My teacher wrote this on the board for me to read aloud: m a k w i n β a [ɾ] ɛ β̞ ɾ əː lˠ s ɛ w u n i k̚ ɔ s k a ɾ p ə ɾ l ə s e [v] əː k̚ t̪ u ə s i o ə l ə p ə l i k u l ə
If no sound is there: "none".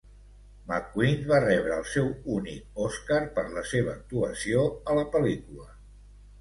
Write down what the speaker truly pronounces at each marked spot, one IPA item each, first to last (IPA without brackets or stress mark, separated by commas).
r, β